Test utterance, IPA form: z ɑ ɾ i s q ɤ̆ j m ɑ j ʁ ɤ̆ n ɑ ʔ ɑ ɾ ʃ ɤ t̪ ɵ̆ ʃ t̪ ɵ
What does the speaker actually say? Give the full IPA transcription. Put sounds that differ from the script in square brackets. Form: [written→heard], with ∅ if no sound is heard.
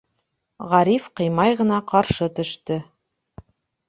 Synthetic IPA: [z→ʁ] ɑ ɾ i [s→f] q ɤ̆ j m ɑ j ʁ ɤ̆ n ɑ [ʔ→q] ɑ ɾ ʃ ɤ t̪ ɵ̆ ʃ t̪ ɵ